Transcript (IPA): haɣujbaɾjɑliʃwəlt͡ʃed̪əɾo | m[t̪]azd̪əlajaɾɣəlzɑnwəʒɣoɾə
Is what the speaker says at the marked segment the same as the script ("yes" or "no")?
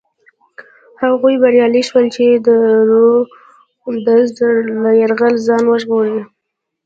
no